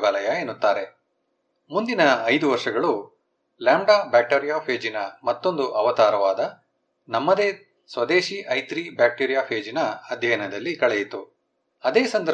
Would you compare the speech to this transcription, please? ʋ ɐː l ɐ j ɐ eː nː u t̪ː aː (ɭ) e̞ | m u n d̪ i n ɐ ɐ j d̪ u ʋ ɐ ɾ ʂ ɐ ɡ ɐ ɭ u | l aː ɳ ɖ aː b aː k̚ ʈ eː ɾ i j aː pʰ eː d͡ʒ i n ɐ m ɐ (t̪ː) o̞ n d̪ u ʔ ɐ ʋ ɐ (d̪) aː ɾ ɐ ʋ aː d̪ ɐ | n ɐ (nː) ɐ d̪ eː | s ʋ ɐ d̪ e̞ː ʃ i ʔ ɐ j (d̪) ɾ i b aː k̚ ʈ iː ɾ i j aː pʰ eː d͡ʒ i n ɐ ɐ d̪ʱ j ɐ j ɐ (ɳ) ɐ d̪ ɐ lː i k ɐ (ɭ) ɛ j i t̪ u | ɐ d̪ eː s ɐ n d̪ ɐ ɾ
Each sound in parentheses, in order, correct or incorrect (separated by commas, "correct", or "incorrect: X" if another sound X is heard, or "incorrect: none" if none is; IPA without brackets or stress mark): incorrect: ɾ, correct, incorrect: t̪, incorrect: mː, incorrect: t̪, incorrect: n, correct